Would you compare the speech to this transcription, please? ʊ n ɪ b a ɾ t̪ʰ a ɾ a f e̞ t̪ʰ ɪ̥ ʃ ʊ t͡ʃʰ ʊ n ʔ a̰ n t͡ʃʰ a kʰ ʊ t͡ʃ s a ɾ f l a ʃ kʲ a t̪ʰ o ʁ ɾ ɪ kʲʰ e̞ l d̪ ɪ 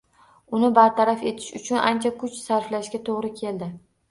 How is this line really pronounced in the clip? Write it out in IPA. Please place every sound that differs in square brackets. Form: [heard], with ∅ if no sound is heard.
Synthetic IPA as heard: ʊ n ɪ b a ɾ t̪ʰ a ɾ a f e̞ t̪ʰ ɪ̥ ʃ ʊ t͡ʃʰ ʊ n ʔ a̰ n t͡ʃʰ a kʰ ʊ t͡ʃ s a ɾ f l a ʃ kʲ a t̪ʰ o ʁ ɾ ɪ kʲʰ e̞ l d̪ ɪ